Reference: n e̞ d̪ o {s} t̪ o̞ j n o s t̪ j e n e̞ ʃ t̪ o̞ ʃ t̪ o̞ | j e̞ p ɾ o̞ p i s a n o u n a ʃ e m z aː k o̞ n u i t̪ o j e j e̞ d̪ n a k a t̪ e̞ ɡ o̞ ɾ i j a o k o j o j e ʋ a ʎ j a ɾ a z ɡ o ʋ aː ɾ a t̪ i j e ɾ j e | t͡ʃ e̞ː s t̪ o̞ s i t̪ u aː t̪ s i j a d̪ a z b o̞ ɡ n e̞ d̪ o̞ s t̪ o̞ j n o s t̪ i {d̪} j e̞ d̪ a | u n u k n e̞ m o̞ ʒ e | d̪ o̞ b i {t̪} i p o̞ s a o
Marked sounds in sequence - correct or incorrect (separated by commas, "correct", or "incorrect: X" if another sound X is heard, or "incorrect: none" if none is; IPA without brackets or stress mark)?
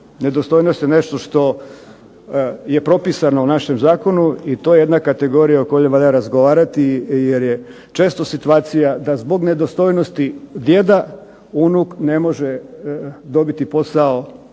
correct, correct, correct